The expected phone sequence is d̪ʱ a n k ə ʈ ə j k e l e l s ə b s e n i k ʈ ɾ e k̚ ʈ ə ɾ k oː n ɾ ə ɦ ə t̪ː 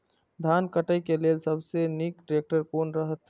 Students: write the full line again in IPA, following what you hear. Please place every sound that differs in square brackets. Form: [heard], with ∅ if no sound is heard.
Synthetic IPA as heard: d̪ʱ a n k ə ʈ ə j k e l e l s ə b s e n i k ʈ ɾ e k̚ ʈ ə ɾ k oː n ɾ ə ɦ ə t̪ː